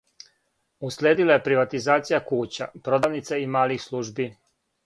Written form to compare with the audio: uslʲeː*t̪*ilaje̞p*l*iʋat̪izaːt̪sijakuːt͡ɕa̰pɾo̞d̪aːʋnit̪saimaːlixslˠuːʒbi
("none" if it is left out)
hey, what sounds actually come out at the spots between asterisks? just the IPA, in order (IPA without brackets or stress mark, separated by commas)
d̪, ɾ